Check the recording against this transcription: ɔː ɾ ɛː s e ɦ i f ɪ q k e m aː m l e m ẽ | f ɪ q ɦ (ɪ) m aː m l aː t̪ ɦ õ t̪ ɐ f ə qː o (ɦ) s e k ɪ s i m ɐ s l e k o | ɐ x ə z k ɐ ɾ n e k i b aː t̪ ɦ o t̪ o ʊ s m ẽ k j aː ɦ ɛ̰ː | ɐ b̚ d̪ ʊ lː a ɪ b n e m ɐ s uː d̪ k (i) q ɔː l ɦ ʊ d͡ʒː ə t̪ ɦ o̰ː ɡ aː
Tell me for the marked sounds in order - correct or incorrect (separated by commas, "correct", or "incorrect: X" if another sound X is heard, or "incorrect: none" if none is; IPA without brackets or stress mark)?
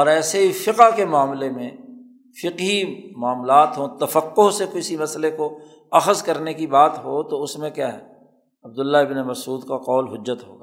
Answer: incorrect: i, correct, incorrect: a